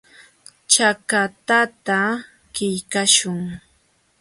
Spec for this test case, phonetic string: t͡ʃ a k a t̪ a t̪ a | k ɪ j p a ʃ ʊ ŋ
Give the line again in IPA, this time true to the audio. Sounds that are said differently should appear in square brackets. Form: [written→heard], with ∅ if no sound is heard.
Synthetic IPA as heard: t͡ʃ a k a t̪ a t̪ a | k ɪ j [p→k] a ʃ ʊ ŋ